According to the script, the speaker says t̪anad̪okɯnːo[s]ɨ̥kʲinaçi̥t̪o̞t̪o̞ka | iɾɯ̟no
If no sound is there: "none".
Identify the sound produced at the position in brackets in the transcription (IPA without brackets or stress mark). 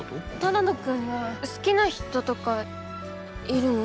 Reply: s